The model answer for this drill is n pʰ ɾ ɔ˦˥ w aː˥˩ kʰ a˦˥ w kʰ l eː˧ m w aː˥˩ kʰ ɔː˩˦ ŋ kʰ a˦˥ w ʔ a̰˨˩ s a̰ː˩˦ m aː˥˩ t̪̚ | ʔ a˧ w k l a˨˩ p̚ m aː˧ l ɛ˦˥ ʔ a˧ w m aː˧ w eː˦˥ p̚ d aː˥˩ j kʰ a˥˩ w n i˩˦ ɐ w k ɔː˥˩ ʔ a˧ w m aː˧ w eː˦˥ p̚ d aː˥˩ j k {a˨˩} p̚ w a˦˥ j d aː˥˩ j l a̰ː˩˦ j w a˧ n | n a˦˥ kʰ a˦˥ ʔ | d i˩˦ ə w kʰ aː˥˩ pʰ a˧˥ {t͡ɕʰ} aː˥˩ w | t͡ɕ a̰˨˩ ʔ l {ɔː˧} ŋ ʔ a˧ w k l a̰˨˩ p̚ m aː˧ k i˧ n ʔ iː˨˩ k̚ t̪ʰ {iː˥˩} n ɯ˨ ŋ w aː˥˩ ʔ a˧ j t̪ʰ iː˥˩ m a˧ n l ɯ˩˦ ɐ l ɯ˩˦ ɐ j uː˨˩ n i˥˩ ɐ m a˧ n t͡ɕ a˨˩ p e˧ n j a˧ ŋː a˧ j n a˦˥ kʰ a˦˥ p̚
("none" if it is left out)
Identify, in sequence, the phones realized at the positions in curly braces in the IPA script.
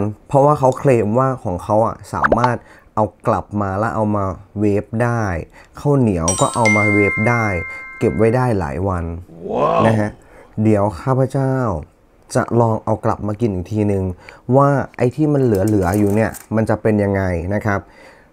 e˨˩, t͡ɕ, ɔː˧, iː˧

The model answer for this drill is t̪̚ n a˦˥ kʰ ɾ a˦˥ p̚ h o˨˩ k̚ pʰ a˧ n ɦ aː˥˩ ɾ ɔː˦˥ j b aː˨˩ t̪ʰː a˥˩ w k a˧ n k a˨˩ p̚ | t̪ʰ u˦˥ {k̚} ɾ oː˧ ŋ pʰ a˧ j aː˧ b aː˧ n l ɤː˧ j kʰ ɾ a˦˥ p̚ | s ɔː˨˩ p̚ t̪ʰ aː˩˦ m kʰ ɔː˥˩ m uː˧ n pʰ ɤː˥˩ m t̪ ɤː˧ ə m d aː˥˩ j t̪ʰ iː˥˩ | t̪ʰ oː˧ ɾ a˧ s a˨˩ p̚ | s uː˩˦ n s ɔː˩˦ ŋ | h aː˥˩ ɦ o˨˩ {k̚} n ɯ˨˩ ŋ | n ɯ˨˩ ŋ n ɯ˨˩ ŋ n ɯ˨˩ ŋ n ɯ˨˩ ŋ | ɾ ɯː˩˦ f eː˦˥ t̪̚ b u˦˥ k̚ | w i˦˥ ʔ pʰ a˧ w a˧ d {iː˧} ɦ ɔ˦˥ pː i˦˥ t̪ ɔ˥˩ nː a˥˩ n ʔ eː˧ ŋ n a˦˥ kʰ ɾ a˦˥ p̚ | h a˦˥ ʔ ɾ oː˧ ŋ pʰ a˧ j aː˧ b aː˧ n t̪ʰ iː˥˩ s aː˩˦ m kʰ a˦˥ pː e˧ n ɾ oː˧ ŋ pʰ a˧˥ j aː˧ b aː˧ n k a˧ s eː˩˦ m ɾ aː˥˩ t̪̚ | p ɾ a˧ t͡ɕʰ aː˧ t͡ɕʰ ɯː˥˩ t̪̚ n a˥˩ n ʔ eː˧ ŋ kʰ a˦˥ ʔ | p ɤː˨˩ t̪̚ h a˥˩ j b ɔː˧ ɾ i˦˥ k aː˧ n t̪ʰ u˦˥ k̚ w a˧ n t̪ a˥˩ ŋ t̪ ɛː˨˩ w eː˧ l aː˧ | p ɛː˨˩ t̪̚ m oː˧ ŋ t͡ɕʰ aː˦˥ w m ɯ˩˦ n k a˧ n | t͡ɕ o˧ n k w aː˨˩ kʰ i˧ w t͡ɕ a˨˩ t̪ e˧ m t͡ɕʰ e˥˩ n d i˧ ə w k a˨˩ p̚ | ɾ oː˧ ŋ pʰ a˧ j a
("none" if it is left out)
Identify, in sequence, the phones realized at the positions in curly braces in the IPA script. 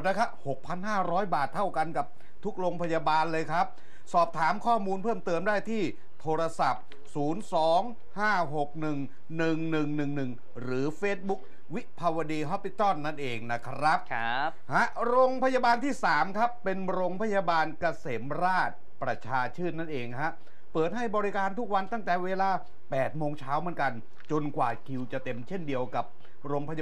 k̚, k̚, iː˧

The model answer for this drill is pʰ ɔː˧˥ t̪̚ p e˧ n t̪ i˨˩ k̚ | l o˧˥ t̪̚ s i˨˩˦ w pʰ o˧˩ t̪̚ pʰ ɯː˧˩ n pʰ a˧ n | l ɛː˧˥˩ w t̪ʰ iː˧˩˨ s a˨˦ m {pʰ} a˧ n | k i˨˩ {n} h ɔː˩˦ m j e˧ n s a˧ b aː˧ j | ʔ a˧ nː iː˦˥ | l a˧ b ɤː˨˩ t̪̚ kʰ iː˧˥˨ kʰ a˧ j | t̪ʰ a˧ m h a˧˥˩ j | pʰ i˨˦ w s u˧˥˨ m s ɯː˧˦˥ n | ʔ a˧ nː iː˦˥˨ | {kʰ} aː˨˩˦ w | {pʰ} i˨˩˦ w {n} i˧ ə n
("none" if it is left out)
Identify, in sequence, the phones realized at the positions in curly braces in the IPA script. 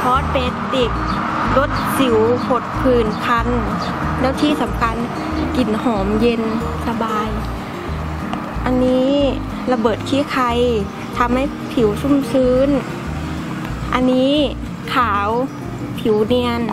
kʰ, n, kʰ, pʰ, n

